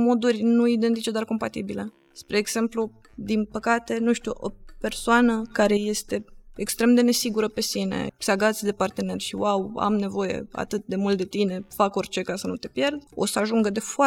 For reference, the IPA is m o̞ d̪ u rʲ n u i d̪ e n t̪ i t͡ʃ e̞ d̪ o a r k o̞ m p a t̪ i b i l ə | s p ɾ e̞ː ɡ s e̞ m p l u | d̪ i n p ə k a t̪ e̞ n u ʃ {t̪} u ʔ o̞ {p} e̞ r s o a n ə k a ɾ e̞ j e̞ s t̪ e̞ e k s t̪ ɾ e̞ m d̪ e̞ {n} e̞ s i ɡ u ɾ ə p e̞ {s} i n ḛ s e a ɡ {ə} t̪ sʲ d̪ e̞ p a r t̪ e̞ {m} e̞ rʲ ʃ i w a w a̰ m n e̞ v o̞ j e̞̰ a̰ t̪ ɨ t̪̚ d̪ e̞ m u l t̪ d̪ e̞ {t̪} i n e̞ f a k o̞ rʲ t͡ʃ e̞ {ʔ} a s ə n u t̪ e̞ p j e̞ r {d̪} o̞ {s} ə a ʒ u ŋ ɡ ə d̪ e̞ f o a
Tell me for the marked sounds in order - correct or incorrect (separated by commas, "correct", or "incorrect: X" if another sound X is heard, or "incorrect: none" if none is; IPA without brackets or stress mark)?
correct, correct, correct, correct, incorrect: a, incorrect: n, correct, incorrect: k, correct, correct